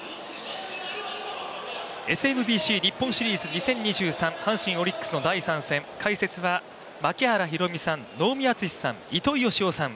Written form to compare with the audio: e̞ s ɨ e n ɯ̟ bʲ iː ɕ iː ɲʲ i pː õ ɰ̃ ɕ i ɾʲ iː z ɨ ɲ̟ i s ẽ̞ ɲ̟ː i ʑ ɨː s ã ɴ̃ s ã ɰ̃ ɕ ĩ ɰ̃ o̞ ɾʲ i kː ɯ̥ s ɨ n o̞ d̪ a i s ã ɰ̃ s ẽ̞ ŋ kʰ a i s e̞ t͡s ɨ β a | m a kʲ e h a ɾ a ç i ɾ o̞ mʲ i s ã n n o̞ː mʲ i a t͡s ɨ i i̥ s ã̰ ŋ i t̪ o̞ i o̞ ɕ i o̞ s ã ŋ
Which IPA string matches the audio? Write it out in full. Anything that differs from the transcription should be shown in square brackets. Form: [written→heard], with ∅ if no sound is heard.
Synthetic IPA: e̞ s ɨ e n ɯ̟ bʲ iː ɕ iː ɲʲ i pː õ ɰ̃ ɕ i ɾʲ iː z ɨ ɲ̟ i s ẽ̞ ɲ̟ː i ʑ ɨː s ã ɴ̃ [s→h] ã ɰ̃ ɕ ĩ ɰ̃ o̞ ɾʲ i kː ɯ̥ s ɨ n o̞ d̪ a i s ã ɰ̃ s ẽ̞ ŋ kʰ a i s e̞ t͡s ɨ β a | m a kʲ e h a ɾ a ç i ɾ o̞ mʲ i s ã n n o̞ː mʲ i a t͡s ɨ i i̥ s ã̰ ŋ i t̪ o̞ i o̞ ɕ i o̞ s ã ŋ